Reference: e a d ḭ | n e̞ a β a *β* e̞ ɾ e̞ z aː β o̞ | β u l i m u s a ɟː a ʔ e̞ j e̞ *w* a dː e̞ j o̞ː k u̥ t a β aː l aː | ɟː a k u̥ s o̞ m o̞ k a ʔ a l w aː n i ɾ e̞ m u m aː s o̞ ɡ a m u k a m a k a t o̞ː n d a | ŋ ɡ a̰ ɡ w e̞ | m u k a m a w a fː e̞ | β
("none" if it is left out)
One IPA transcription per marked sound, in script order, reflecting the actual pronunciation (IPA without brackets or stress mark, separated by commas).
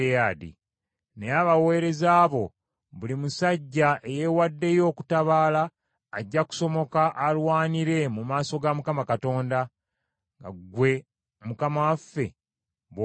w, w